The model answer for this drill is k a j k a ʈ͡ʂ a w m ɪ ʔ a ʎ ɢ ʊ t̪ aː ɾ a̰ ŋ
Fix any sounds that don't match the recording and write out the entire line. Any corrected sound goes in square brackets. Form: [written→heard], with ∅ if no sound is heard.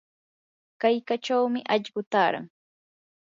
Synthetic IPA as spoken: k a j k a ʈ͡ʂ a w m ɪ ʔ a ʎ ɢ ʊ t̪ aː ɾ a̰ ŋ